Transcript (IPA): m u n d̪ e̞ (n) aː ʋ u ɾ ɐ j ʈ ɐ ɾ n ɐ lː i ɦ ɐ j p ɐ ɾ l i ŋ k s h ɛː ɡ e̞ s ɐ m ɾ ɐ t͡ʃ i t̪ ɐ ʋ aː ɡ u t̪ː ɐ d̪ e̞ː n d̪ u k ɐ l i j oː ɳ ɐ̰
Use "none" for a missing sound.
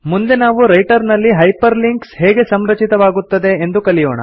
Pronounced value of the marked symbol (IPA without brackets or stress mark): n